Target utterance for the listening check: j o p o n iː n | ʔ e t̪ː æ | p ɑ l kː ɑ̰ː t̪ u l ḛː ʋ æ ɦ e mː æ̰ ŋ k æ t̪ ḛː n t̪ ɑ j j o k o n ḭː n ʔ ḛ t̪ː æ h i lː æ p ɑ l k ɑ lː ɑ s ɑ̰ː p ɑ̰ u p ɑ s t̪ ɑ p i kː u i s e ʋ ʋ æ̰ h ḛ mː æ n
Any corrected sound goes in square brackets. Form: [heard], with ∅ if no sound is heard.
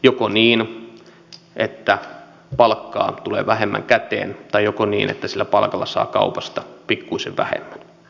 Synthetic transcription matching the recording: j o [k] o n iː n | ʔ e t̪ː æ | p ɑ l kː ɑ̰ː t̪ u l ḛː ʋ æ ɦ e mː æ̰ ŋ k æ t̪ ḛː n t̪ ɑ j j o k o n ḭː n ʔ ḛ t̪ː æ [s] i lː æ p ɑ l k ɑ lː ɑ s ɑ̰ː [k] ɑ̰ u p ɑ s t̪ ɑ p i kː u i s e ʋ ʋ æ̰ h ḛ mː æ n